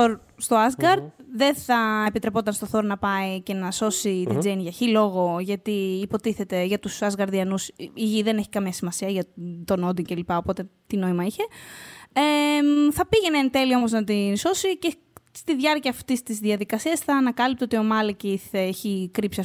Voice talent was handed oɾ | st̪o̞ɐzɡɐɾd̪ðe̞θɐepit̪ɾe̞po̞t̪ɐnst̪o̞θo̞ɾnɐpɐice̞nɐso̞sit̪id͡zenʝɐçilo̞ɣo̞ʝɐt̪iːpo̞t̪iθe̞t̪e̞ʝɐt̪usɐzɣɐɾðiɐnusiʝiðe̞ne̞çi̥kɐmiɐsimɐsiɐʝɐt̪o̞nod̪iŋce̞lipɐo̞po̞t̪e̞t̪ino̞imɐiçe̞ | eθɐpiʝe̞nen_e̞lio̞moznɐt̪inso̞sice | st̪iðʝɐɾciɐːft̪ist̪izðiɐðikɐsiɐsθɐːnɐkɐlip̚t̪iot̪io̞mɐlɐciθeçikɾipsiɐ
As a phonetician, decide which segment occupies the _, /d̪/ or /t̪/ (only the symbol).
t̪